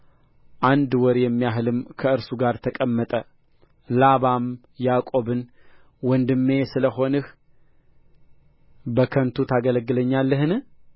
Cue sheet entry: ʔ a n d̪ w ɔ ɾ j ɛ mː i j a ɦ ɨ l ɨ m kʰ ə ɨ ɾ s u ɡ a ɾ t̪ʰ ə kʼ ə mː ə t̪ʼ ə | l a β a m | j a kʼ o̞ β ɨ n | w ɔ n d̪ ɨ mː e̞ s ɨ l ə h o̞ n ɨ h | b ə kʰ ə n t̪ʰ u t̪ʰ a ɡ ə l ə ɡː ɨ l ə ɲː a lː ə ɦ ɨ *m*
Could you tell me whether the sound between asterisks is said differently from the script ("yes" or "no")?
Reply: yes